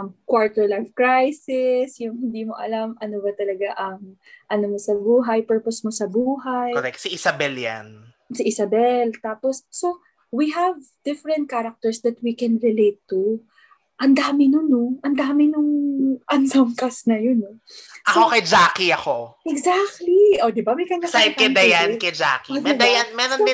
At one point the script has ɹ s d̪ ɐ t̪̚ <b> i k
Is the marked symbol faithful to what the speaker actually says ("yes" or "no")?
no